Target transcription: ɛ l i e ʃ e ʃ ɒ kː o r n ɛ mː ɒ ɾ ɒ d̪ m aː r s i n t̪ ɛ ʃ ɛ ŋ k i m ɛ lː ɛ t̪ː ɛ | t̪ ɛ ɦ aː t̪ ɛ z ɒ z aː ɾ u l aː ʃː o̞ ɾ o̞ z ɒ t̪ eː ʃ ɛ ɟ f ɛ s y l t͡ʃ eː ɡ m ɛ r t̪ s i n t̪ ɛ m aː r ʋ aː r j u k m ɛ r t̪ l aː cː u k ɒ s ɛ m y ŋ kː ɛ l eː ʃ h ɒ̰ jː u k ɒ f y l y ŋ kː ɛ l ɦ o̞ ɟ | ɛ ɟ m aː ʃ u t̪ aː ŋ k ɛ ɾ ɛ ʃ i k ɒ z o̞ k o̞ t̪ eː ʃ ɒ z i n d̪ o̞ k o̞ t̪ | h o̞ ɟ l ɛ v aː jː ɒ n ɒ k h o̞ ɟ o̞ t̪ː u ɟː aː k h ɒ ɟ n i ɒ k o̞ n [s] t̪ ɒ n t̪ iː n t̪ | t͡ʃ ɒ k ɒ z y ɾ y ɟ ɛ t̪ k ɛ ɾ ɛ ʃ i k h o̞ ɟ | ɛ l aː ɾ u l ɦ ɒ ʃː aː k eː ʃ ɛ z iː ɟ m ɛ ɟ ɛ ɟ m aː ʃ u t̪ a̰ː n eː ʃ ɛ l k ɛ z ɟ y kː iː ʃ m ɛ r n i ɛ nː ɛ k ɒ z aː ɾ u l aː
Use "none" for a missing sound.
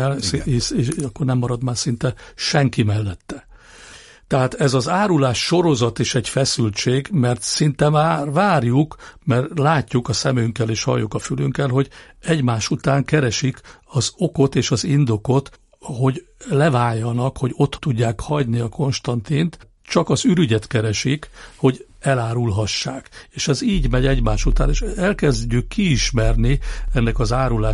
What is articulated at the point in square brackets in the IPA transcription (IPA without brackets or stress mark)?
ʃ